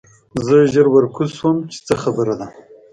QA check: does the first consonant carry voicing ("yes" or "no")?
yes